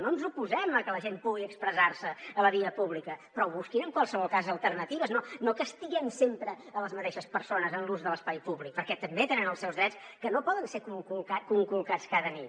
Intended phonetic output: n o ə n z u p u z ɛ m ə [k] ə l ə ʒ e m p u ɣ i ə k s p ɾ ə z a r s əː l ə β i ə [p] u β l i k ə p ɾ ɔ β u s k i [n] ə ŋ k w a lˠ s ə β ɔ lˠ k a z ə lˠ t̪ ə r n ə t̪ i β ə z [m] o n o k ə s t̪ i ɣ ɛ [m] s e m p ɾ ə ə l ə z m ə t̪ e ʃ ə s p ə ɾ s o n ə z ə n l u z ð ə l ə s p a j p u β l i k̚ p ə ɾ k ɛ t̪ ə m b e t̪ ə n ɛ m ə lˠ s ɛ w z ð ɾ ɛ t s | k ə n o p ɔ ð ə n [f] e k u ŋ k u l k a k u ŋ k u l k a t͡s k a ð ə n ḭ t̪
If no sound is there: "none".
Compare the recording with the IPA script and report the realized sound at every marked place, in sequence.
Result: k, p, n, n, m, s

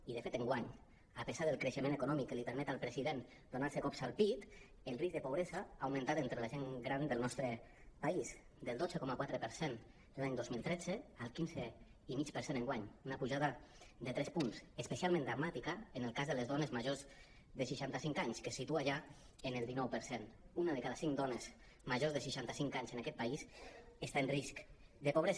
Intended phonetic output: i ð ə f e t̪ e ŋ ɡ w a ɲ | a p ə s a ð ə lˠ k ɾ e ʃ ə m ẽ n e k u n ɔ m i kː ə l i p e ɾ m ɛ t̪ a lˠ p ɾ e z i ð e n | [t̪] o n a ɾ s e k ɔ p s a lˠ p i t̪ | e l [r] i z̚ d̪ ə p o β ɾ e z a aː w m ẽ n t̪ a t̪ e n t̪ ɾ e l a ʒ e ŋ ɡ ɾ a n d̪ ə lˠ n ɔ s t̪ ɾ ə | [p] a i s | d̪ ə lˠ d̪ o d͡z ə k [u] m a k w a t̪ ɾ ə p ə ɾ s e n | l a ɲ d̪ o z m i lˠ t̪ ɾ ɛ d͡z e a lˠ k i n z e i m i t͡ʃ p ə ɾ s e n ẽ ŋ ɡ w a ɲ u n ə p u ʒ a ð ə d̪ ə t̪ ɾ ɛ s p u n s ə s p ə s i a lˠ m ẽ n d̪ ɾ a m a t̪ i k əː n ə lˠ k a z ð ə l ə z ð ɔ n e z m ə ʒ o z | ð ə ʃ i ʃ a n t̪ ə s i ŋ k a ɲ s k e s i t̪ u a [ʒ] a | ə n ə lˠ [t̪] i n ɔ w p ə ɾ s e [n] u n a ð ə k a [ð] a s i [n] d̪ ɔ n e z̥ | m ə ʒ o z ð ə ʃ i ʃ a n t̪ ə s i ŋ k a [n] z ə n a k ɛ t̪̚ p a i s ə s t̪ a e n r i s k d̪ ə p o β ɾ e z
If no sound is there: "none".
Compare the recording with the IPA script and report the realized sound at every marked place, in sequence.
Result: d̪, r, p, ɔ, ʒ, d̪, n, ð, ŋ, ɲ

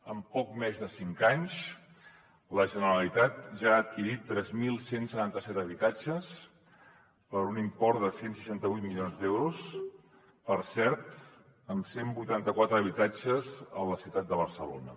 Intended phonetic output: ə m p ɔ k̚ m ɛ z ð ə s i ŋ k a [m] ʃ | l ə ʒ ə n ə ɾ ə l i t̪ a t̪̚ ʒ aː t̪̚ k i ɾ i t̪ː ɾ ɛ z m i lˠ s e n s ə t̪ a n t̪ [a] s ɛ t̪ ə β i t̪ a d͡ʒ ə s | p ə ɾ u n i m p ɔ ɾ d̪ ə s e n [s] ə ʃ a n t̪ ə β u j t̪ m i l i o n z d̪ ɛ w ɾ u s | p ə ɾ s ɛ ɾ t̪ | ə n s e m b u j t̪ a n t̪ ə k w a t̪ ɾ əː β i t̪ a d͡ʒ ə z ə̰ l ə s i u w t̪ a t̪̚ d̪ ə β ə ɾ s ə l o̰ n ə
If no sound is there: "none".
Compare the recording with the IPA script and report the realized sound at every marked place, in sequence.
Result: ɲ, ə, s

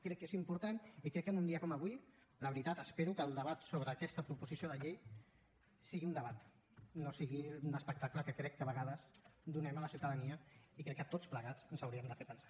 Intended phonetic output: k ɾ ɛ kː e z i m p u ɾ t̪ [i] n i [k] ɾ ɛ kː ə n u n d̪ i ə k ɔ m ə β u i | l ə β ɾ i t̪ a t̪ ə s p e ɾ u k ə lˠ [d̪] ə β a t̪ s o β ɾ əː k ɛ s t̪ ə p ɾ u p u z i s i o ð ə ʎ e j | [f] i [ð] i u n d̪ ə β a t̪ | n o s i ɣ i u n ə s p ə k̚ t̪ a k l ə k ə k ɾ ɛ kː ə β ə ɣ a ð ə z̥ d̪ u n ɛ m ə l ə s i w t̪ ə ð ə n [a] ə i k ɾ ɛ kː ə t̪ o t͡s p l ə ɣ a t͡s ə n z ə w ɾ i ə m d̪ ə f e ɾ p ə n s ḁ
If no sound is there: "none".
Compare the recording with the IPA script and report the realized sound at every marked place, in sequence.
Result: a, k, d̪, s, ɣ, i

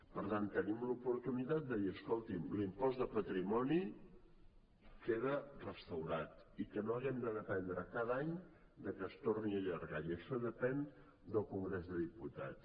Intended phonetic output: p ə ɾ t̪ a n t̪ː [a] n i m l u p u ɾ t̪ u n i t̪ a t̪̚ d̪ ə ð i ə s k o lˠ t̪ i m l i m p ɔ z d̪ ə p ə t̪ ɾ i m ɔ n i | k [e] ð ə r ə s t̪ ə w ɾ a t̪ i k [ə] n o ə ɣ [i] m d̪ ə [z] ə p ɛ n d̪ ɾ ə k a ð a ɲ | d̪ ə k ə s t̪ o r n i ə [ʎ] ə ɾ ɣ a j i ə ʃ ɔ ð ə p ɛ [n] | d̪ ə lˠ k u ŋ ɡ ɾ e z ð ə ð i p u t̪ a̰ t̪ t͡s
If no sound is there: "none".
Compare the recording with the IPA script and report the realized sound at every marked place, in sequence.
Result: ə, e, ə, ɛ, ð, ʎ, n

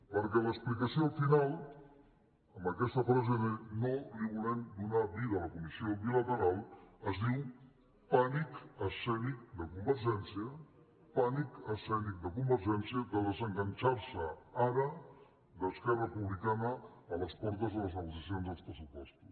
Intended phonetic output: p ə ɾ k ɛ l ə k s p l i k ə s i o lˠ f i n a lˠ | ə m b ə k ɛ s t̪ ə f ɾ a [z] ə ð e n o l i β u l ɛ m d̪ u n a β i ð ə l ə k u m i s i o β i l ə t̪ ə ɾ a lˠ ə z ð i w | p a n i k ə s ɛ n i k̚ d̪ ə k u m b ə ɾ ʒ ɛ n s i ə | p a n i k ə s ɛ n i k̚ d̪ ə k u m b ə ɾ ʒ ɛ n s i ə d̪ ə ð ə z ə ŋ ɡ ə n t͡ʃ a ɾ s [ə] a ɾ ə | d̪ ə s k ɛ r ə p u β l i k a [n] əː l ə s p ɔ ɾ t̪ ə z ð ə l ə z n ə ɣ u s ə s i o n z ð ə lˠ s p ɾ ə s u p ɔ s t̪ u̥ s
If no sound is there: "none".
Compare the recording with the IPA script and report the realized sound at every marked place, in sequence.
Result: z, ə, n

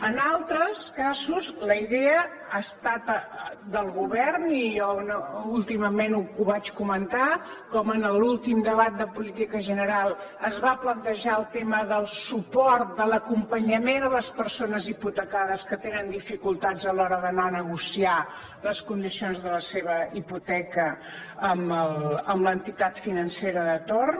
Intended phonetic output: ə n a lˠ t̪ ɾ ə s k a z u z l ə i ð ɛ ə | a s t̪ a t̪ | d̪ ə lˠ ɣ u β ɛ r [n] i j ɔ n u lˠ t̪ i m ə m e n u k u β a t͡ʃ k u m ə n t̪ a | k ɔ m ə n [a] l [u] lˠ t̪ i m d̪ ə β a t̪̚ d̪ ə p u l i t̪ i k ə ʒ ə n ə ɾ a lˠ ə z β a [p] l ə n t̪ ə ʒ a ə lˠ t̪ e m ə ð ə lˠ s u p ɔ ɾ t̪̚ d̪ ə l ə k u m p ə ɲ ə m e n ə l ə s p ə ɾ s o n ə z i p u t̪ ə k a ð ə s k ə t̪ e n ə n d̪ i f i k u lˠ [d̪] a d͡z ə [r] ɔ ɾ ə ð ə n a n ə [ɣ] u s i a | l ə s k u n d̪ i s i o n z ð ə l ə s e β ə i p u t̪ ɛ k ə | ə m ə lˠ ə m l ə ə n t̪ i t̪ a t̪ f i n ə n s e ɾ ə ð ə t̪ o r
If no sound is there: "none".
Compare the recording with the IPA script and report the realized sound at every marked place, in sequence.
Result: n, ə, u, p, t̪, l, ɣ

